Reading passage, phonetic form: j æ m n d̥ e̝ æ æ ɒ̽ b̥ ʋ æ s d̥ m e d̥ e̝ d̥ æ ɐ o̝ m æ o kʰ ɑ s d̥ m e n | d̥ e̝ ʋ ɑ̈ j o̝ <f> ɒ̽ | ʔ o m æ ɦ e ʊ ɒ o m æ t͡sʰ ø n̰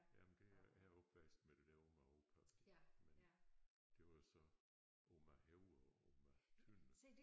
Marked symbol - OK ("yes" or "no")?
no